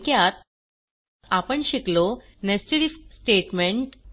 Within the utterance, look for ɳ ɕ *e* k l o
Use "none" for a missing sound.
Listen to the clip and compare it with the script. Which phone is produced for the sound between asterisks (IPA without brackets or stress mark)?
i